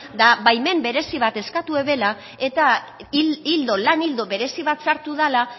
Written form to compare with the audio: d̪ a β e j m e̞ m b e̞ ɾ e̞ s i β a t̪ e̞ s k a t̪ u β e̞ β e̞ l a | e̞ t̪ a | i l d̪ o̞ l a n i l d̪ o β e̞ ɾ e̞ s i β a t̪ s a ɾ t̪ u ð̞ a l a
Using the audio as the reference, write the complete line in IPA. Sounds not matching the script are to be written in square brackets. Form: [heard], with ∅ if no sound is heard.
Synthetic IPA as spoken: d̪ a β [a] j m e̞ m b e̞ ɾ e̞ s i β a t̪ e̞ s k a t̪ u [∅] e̞ β e̞ l a | e̞ t̪ a | i l d̪ o̞ l a n i l d̪ o β e̞ ɾ e̞ s i β a t̪ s a ɾ t̪ u ð̞ a l a